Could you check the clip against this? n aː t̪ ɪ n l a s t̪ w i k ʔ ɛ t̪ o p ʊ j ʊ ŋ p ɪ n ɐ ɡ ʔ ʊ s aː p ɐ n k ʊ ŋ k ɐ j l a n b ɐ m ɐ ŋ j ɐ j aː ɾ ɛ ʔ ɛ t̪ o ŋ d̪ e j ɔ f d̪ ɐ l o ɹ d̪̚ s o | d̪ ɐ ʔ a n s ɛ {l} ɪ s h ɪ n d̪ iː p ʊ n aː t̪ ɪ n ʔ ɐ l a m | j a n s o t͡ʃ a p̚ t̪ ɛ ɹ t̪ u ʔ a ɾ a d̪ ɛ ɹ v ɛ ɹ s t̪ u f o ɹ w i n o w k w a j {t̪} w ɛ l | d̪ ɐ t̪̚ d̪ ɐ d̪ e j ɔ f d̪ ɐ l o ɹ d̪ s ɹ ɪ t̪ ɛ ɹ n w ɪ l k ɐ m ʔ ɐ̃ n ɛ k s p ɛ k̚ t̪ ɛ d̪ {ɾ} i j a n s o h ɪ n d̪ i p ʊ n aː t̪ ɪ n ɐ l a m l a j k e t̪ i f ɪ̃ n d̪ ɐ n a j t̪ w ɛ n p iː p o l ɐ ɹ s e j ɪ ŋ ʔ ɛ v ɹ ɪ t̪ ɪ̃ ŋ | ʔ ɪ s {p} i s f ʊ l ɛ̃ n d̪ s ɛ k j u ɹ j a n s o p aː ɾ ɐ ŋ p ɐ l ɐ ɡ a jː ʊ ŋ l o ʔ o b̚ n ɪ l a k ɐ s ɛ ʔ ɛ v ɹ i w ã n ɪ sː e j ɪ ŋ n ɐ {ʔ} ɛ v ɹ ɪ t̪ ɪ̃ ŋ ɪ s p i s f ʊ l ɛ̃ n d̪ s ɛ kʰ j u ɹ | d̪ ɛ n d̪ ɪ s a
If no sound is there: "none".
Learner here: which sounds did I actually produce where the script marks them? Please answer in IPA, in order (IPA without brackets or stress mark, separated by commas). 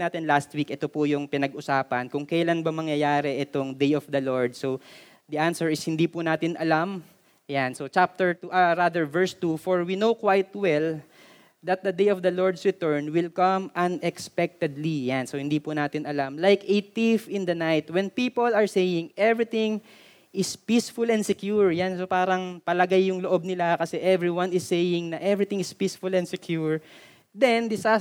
ɹ, t̪, l, p, ʔ